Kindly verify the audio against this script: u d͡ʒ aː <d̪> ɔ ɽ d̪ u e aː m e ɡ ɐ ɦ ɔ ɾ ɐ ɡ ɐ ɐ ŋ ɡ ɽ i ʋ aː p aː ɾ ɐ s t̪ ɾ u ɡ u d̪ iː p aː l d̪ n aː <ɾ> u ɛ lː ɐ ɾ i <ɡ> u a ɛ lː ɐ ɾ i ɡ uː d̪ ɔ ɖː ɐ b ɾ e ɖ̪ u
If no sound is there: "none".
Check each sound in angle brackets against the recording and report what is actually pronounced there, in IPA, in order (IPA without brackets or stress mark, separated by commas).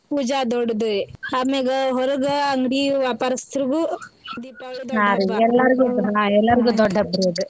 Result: d̪, ɾ, ɡ